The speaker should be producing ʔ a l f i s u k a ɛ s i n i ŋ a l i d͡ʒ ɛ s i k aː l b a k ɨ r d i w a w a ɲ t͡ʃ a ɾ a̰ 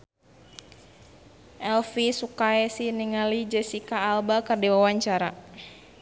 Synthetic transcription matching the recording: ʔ ɛ l f i s u k a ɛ s i n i ŋ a l i d͡ʒ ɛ s i k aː l b a k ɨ r d i w a w a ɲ t͡ʃ a ɾ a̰